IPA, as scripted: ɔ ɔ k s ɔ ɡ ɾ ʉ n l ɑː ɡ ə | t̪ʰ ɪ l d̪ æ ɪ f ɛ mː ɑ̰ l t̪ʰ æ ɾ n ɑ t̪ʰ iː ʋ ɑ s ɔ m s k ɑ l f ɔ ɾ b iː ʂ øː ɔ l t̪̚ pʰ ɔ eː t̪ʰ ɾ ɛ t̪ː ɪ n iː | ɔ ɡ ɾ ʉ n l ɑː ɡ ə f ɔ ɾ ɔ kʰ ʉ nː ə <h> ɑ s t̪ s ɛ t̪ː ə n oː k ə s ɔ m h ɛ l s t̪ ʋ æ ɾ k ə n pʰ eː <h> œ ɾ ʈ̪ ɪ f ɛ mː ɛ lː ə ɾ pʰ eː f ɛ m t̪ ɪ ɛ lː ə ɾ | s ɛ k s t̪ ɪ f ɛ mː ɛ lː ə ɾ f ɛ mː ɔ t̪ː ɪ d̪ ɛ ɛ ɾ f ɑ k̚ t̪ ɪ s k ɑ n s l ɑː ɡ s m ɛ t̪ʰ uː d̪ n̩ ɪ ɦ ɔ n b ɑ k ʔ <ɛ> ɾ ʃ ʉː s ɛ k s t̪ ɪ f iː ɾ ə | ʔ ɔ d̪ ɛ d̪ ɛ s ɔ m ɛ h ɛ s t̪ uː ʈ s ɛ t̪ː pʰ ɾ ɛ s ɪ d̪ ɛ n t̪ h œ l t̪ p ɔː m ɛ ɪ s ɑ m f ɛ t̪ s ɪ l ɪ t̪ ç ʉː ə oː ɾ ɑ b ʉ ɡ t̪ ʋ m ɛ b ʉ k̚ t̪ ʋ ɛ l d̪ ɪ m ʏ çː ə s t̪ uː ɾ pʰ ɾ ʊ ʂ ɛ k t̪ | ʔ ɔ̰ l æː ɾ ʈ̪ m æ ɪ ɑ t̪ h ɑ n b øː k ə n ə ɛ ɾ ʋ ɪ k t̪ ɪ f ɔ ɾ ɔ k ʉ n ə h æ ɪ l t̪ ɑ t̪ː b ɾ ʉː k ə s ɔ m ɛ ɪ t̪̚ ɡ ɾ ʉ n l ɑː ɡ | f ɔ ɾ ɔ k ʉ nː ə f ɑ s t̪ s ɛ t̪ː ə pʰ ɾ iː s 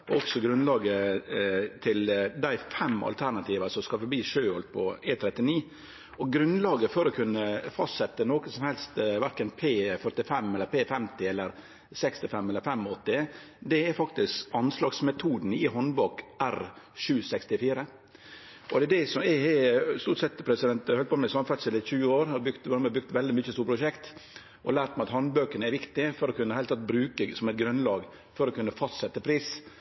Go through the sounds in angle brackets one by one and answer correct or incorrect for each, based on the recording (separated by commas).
incorrect, incorrect, incorrect